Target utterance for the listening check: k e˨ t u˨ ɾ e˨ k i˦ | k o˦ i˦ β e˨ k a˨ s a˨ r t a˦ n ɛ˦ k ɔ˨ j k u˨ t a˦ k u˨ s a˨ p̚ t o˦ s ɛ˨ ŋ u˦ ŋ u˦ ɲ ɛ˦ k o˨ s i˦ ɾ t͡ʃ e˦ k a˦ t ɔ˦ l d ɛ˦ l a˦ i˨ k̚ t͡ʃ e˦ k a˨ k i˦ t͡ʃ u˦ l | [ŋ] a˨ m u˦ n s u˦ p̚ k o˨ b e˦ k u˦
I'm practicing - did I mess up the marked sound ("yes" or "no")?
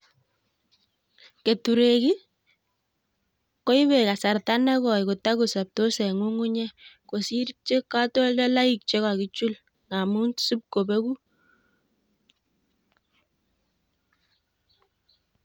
no